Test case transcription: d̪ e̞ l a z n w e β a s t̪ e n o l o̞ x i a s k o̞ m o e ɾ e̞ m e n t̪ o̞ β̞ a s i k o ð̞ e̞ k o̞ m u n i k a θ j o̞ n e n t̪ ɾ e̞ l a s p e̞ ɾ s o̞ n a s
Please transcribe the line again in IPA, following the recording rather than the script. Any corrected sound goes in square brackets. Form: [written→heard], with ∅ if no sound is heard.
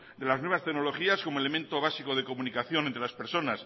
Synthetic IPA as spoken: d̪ e̞ l a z n w e β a s t̪ e n o l o̞ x i a s k o̞ m o e [ɾ→l] e̞ m e n t̪ o̞ β̞ a s i k o ð̞ e̞ k o̞ m u n i k a θ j o̞ n e n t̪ ɾ e̞ l a s p e̞ ɾ s o̞ n a s